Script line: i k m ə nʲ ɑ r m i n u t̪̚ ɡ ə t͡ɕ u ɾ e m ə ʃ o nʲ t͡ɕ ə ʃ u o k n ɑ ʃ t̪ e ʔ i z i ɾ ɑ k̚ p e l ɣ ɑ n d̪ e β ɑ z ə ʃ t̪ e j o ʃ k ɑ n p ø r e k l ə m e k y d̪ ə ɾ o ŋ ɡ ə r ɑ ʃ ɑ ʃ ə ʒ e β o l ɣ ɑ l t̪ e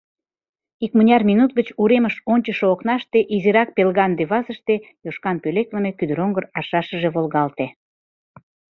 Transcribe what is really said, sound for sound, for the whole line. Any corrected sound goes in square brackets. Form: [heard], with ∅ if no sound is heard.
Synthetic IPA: i k m ə nʲ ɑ r m i n u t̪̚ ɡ ə t͡ɕ u ɾ e m ə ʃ o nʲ t͡ɕ ə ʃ [o] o k n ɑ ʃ t̪ e ʔ i z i ɾ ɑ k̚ p e l ɣ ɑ n d̪ e β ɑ z ə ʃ t̪ e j o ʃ k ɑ n p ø [l] e k l ə m e k y d̪ ə ɾ o ŋ ɡ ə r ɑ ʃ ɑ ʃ ə ʒ e β o l ɣ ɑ l t̪ e